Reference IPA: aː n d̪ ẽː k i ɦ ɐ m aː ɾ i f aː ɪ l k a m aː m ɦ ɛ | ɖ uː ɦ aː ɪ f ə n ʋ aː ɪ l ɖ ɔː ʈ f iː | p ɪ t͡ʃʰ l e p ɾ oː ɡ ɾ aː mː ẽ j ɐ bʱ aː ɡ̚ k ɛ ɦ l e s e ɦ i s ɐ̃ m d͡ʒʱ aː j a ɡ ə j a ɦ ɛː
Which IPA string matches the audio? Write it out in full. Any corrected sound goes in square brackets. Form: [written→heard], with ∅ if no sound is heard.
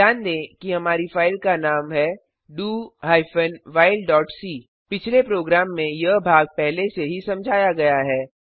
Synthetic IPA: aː n d̪ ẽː k i ɦ ɐ m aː ɾ i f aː ɪ l k a [m→n] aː m ɦ ɛ | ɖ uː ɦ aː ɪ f ə n ʋ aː ɪ l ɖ ɔː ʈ [f→s] iː | p ɪ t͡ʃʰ l e p ɾ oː ɡ ɾ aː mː ẽ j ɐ bʱ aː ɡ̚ [k→p] ɛ ɦ l e s e ɦ i s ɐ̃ m d͡ʒʱ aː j a ɡ [ə→ɐ] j a ɦ ɛː

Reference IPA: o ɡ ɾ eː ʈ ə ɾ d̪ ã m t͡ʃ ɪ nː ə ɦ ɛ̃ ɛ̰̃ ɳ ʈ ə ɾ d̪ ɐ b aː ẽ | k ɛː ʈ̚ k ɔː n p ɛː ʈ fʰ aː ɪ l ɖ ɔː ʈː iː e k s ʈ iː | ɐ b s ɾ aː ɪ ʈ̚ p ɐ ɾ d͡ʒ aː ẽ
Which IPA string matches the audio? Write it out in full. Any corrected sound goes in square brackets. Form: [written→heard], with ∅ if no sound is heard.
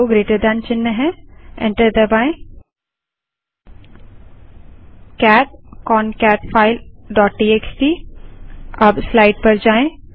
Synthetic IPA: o ɡ ɾ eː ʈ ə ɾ d̪ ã [m→n] t͡ʃ ɪ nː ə ɦ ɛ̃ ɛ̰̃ ɳ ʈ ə ɾ d̪ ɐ b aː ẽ | k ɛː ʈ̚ k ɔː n [p→k] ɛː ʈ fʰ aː ɪ l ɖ ɔː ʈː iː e k s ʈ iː | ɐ b s [ɾ→l] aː ɪ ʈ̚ p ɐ ɾ d͡ʒ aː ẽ

